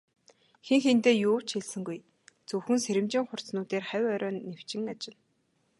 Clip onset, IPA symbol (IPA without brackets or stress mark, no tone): x